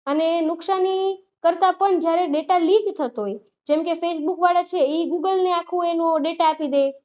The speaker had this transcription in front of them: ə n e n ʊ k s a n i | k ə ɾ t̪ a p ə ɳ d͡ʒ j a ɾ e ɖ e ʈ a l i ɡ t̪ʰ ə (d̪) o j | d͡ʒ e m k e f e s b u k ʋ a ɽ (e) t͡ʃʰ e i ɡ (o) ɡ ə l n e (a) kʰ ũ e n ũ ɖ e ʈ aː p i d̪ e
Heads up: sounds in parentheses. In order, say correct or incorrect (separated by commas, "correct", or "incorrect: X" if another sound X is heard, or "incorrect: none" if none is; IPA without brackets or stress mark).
incorrect: t̪, incorrect: a, incorrect: u, correct